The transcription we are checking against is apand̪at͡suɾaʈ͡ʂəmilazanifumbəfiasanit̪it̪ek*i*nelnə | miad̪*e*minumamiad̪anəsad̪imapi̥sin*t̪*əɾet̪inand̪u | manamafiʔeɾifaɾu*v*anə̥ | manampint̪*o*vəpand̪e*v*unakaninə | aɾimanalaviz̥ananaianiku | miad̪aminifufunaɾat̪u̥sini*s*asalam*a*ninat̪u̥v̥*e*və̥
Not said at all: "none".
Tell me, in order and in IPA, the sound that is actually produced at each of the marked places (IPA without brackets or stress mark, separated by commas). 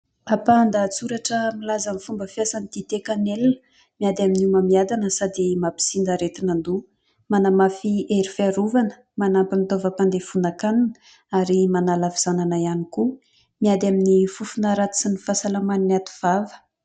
a, a, d̪, v, o, f, f, a, a